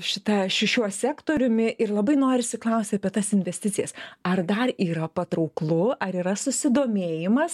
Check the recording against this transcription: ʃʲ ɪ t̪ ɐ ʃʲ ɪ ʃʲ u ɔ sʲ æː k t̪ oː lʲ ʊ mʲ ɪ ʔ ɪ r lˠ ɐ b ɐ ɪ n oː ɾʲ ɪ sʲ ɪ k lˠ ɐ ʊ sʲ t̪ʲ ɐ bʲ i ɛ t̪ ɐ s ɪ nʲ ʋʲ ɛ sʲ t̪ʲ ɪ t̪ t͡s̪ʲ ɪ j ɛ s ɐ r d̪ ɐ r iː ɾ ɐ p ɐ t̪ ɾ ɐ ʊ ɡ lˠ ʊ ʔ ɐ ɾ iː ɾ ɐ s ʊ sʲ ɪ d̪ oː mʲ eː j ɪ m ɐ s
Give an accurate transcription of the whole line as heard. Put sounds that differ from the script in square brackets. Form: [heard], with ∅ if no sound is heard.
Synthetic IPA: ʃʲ ɪ t̪ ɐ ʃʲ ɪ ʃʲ u ɔ sʲ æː k t̪ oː [ɾʲ] ʊ mʲ ɪ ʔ ɪ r lˠ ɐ b ɐ ɪ n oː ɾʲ ɪ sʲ ɪ k lˠ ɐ ʊ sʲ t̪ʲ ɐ [pʲ] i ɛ t̪ ɐ s ɪ nʲ ʋʲ ɛ sʲ t̪ʲ ɪ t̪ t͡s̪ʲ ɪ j ɛ s ɐ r d̪ ɐ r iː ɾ ɐ p ɐ t̪ ɾ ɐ ʊ [k] lˠ ʊ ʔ ɐ ɾ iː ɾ ɐ s ʊ sʲ ɪ d̪ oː mʲ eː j ɪ m ɐ s